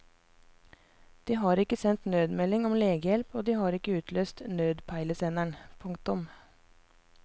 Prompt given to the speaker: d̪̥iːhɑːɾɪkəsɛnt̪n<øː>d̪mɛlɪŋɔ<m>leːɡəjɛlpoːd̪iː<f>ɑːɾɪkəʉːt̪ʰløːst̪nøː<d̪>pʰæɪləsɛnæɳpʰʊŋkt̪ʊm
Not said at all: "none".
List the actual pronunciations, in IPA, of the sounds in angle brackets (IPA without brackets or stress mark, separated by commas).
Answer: øː, m, h, d̪